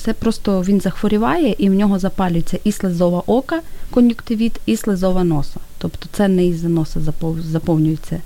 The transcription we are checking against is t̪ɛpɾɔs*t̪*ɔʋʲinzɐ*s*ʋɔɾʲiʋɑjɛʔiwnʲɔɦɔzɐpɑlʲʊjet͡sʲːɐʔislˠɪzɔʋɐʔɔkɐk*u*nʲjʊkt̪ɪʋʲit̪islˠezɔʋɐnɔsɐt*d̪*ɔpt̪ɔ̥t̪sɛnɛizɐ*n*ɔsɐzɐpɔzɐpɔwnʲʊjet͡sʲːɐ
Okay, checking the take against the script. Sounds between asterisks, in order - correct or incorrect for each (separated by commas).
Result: correct, incorrect, incorrect, incorrect, correct